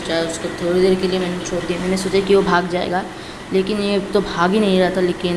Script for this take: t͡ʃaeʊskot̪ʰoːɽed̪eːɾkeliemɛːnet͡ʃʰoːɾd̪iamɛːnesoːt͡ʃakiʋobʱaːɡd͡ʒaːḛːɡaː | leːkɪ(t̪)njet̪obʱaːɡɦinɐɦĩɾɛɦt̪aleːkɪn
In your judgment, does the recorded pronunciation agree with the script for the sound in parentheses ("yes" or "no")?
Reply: no